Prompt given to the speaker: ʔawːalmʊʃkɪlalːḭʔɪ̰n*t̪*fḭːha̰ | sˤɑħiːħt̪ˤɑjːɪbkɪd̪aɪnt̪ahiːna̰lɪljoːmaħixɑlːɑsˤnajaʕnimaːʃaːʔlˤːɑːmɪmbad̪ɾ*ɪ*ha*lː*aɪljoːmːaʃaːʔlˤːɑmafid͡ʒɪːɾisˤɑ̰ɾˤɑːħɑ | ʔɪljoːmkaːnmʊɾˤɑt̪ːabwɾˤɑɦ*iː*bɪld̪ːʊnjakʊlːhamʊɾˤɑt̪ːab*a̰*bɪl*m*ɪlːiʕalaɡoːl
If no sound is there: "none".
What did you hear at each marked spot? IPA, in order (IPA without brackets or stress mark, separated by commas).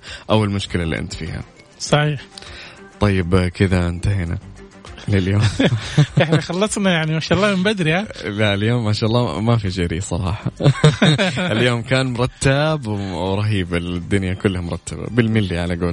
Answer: t̪, i, l, iː, a̰, m